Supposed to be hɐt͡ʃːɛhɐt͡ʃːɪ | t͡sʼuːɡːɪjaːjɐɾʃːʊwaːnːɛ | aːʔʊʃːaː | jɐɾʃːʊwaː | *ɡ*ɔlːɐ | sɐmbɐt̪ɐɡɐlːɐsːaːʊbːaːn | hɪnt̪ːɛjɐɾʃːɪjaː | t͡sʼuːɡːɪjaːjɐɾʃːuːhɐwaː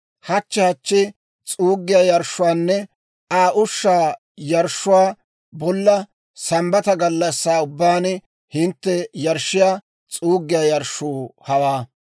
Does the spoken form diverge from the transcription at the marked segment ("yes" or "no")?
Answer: yes